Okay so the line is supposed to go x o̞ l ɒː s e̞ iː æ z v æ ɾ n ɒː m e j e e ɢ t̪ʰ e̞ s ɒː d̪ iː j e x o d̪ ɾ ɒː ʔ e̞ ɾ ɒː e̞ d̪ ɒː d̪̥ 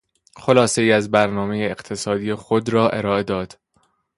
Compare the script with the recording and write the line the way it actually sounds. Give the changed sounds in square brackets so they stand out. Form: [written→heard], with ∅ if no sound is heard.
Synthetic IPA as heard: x o̞ l ɒː s e̞ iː æ z [v→b] æ ɾ n ɒː m e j e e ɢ t̪ʰ e̞ s ɒː d̪ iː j e x o d̪ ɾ ɒː ʔ e̞ ɾ ɒː e̞ d̪ ɒː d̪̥